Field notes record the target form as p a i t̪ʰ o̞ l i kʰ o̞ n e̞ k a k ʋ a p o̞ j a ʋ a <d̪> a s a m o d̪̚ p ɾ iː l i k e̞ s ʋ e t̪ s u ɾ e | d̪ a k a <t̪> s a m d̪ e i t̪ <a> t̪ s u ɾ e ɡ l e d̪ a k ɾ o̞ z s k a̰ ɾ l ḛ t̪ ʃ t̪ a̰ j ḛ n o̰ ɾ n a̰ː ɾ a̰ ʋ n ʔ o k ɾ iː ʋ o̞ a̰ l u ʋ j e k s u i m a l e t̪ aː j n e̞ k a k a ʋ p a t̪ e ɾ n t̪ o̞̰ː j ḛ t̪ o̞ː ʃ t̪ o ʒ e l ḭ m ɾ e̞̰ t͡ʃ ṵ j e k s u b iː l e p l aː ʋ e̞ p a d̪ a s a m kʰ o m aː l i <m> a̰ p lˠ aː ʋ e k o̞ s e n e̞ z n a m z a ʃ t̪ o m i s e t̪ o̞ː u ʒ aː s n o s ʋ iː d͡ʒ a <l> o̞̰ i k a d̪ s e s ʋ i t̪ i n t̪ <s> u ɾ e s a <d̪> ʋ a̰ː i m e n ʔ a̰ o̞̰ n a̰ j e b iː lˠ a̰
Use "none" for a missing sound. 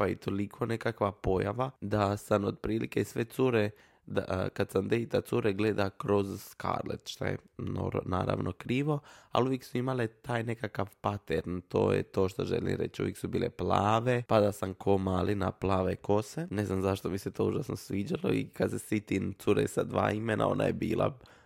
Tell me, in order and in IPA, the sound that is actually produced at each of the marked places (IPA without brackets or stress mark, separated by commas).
d̪, d̪, a, n, l, s, d̪